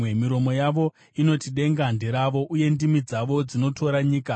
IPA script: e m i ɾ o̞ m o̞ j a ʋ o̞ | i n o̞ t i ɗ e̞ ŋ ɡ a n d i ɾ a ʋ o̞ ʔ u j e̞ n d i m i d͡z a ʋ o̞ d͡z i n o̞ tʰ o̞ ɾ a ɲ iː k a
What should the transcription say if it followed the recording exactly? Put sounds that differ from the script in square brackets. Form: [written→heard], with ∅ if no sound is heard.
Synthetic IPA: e m i ɾ o̞ m o̞ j a ʋ o̞ | i n o̞ t i ɗ e̞ ŋ ɡ a n d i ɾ a ʋ o̞ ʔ u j e̞ n d i m i d͡z a ʋ o̞ d͡z i n o̞ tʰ o̞ ɾ a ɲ iː k a